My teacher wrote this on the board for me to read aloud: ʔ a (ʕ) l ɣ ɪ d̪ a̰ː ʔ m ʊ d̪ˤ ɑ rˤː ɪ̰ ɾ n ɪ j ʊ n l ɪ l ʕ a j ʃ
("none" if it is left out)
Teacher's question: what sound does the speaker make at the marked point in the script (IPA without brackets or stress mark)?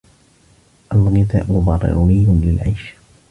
none